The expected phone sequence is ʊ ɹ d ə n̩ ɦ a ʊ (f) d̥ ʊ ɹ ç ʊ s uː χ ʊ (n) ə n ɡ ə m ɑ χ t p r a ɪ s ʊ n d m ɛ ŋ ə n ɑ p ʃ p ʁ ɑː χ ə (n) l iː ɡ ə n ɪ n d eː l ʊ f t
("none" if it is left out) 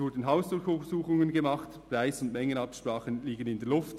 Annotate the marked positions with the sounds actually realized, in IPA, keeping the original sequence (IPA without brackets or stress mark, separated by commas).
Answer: s, ŋ, n